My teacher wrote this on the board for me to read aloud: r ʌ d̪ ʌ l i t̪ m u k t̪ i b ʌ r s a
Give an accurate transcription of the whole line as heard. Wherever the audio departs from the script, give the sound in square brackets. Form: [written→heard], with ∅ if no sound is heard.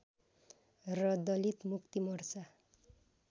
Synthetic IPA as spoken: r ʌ d̪ ʌ l i t̪ m u k t̪ i [b→m] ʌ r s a